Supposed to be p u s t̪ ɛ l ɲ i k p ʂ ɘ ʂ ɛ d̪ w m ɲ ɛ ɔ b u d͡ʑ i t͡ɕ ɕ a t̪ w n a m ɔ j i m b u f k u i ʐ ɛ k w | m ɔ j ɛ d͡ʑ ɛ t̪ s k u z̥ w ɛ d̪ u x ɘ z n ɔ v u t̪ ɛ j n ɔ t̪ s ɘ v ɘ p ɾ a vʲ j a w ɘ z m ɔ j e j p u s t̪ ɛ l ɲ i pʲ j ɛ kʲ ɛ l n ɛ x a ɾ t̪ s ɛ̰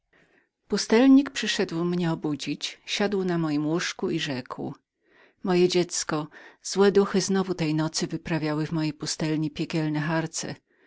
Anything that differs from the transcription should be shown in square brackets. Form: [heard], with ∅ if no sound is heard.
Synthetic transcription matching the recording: p u s t̪ ɛ l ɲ i k p ʂ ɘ ʂ ɛ d̪ w m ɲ ɛ ɔ b u d͡ʑ i t͡ɕ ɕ a [d̪] w n a m ɔ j i m [w] u [ʂ] k u i ʐ ɛ k w | m ɔ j ɛ d͡ʑ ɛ t̪ s k [ɔ] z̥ w ɛ d̪ u x ɘ z n ɔ v u t̪ ɛ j n ɔ t̪ s ɘ v ɘ p ɾ a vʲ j a w ɘ [v] m ɔ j e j p u s t̪ ɛ l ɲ i pʲ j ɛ kʲ ɛ l n ɛ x a ɾ t̪ s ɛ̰